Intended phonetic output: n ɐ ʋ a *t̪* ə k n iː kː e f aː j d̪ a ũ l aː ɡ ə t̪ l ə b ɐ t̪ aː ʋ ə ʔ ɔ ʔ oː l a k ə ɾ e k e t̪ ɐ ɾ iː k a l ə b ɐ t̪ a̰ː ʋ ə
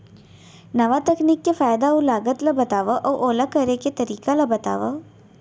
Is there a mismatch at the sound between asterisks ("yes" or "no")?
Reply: no